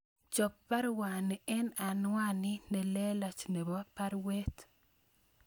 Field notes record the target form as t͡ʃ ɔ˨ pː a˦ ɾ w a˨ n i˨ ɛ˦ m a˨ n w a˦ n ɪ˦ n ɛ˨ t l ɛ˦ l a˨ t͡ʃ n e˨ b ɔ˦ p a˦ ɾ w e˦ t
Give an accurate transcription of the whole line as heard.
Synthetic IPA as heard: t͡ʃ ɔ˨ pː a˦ ɾ w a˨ n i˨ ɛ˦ n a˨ n w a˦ n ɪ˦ n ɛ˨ l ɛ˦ l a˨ t͡ʃ n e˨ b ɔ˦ p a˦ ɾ w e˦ t